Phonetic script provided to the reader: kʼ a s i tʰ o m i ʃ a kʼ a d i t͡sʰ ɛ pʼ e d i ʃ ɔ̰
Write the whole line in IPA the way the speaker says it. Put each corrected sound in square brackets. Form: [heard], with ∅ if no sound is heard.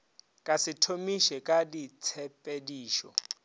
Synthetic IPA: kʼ a s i tʰ o m i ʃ [ɛ] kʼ a d i t͡sʰ ɛ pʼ e d [iː] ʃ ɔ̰